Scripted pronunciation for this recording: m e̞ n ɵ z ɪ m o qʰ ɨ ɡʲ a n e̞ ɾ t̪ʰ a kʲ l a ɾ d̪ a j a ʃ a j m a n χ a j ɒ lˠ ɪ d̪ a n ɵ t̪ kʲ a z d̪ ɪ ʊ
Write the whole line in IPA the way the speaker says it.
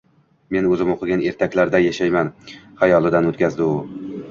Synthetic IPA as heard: m e̞ n ɵ z ɪ m o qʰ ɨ ɡʲ a n e̞ ɾ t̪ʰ a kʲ l a ɾ d̪ a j a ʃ a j m a n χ a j ɒ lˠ ɪ d̪ a n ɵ t̪ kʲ a z d̪ ɪ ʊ